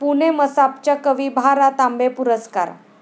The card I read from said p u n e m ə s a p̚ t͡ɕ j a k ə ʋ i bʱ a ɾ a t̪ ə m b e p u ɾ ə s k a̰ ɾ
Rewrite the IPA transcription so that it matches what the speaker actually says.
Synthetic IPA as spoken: p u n e m ə s a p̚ t͡ɕ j a k ə ʋ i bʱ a ɾ a t̪ a m b e p u ɾ ə s k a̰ ɾ